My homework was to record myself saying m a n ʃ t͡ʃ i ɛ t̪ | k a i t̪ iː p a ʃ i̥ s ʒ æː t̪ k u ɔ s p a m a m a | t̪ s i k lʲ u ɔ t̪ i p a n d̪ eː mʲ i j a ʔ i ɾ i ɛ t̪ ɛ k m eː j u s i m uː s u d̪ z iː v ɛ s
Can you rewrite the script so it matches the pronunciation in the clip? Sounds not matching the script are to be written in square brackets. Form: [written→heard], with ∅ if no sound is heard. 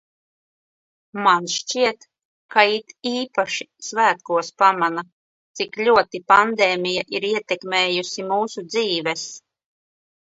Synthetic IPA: m a n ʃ t͡ʃ i ɛ t̪ | k a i t̪ iː p a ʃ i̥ s [ʒ→v] æː t̪ k u ɔ s p a m a [m→n] a | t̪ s i k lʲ u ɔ t̪ i p a n d̪ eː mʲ i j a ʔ i ɾ i ɛ t̪ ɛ k m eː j u s i m uː s u d̪ z iː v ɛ s